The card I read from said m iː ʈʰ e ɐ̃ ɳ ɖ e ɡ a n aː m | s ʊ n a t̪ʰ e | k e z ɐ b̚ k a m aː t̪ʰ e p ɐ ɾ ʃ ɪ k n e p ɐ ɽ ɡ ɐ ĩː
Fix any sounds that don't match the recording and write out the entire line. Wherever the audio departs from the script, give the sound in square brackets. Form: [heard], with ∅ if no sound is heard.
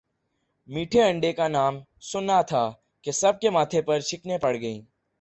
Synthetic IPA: m iː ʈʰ e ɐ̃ ɳ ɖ e [k] a n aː m | s ʊ n a t̪ʰ [a] | k e [s] ɐ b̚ k [e] m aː t̪ʰ e p ɐ ɾ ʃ ɪ k n e p ɐ ɽ ɡ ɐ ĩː